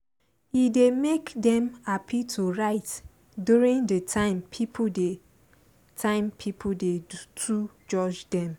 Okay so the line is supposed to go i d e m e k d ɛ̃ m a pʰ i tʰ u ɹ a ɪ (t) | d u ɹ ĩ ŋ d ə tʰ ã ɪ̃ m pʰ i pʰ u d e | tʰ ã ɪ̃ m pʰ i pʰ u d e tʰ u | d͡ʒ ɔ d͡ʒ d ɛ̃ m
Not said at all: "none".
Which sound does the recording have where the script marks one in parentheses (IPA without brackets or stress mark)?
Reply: t